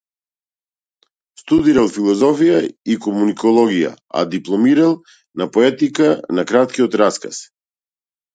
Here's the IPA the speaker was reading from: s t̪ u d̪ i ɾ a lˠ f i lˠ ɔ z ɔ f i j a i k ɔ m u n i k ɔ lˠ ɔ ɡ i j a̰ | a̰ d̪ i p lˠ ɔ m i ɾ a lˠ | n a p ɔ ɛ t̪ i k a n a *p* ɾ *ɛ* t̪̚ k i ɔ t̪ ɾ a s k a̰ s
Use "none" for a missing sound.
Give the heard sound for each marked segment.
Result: k, a

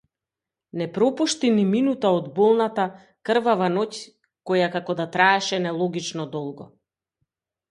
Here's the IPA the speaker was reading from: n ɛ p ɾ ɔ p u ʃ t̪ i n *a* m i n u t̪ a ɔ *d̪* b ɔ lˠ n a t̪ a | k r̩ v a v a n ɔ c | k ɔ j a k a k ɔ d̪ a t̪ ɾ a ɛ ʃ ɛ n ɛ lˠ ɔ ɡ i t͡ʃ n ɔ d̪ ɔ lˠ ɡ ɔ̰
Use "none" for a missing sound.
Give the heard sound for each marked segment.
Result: i, d̪

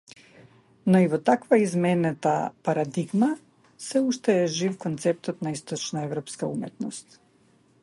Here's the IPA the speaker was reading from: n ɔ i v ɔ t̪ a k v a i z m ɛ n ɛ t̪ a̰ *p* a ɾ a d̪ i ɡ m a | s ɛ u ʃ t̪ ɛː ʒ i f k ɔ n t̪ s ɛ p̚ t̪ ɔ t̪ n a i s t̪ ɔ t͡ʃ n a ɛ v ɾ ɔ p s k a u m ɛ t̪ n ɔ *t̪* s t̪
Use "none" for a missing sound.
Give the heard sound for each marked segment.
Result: p, none

